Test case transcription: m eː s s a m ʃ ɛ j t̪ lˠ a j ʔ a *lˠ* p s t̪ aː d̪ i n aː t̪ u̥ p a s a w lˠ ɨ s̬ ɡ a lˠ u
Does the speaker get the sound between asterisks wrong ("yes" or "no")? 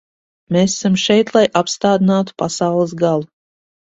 yes